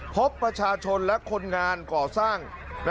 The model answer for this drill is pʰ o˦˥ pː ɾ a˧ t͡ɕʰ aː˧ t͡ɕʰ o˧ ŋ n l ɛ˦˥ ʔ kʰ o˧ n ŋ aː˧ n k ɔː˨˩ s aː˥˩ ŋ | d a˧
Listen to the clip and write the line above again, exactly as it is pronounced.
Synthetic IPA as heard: pʰ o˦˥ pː ɾ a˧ t͡ɕʰ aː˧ t͡ɕʰ o˧ n l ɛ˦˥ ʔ kʰ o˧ n ŋ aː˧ n k ɔː˨˩ s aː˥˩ ŋ | n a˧